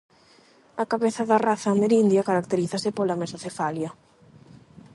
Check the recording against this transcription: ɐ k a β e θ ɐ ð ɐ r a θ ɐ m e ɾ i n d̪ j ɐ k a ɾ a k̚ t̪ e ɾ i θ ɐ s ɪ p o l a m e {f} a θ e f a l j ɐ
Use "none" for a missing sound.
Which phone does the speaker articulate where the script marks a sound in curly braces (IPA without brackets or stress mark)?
s